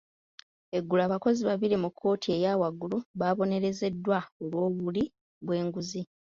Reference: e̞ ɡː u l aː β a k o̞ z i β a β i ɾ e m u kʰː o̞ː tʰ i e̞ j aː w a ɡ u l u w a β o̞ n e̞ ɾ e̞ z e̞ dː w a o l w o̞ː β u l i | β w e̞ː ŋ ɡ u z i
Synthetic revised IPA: e̞ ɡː u l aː β a k o̞ z i β a β i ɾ i m u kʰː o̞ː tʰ i e̞ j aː w a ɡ u l u β a β o̞ n e̞ ɾ e̞ z e̞ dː w a o l w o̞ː β u l i | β w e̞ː ŋ ɡ u z i